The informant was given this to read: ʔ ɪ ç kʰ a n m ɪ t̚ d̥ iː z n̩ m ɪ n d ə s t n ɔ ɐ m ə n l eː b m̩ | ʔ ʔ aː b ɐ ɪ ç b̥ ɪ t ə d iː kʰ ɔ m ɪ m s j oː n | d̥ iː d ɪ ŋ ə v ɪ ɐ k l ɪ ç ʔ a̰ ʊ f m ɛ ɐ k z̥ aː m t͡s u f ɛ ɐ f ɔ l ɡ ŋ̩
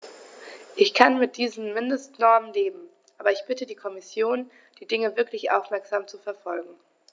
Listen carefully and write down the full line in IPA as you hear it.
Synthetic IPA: ʔ ɪ ç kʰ a n m ɪ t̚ d̥ iː z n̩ m ɪ n d ə s t n ɔ ɐ m ə n l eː b m̩ | ʔ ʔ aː b ɐ ɪ ç b̥ ɪ t ə d iː kʰ ɔ m ɪ s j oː n | d̥ iː d ɪ ŋ ə v ɪ ɐ k l ɪ ç ʔ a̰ ʊ f m ɛ ɐ k z̥ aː m t͡s u f ɛ ɐ f ɔ l ɡ ŋ̩

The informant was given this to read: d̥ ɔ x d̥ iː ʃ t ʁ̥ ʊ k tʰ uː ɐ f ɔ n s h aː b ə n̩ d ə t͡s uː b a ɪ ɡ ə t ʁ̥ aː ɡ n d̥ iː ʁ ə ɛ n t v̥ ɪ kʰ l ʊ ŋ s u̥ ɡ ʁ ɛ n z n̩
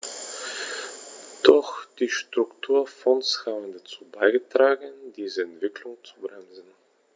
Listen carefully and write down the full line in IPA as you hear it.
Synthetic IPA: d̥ ɔ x d̥ iː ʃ t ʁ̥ ʊ k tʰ uː ɐ f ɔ n s h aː b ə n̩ d a t͡s uː b a ɪ ɡ ə t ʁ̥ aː ɡ n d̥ iː z ə ɛ n t v̥ ɪ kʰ l ʊ ŋ t͡s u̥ b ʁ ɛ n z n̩

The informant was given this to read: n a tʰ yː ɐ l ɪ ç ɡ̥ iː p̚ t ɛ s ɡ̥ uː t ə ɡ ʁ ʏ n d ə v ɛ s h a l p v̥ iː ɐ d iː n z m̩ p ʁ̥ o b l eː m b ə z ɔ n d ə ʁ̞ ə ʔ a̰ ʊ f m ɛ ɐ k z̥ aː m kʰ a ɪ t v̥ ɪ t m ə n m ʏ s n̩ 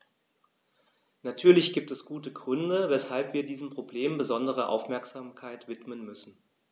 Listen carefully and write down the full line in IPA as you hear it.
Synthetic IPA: n a tʰ yː ɐ l ɪ ç ɡ̥ iː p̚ t ɛ s ɡ̥ uː t ə ɡ ʁ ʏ n d ə v ɛ s h a l p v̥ iː ɐ d iː z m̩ p ʁ̥ o b l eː m b ə z ɔ n d ə ʁ̞ ə ʔ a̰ ʊ f m ɛ ɐ k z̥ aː m kʰ a ɪ t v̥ ɪ t m ə n m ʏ s n̩

